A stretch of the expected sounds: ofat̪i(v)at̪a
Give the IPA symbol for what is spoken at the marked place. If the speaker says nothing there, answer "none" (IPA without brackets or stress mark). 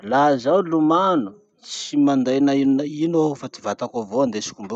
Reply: v